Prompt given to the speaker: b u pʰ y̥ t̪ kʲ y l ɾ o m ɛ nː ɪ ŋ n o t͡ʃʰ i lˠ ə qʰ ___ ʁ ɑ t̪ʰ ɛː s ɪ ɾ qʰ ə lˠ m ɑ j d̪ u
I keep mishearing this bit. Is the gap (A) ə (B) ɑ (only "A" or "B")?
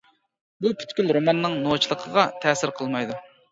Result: A